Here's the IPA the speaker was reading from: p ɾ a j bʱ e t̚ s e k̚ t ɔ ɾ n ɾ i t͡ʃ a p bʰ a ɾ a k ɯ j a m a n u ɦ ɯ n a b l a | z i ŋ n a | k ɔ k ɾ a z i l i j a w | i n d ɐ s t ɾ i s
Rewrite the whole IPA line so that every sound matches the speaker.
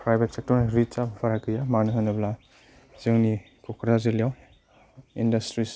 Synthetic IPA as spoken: p ɾ a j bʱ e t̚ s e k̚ t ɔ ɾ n ɾ i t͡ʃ a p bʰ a ɾ a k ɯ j a m a n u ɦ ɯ n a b l a | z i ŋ n i | k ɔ k ɾ a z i l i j a w | i n d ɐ s t ɾ i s